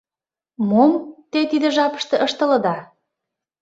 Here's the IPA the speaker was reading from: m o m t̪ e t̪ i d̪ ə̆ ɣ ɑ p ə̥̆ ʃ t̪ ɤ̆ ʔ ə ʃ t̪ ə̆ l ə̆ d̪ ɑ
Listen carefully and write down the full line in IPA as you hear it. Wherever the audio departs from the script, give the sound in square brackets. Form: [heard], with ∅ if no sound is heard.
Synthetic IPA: m o m t̪ e t̪ i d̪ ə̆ [ʒ] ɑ p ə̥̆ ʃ t̪ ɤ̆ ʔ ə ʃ t̪ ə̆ l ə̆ d̪ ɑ